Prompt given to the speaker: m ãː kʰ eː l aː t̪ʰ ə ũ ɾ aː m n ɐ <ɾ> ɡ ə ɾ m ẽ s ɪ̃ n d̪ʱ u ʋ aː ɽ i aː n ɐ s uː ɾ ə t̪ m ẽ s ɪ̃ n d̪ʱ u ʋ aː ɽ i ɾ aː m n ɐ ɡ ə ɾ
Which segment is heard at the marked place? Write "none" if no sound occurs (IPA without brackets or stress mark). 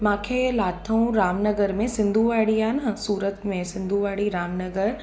none